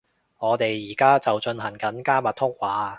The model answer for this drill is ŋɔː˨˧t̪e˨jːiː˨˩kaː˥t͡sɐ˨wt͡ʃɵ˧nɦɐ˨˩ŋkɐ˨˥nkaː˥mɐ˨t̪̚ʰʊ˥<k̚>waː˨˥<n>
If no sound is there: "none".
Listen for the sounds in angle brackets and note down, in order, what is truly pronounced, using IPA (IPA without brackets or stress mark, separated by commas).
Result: k̚, none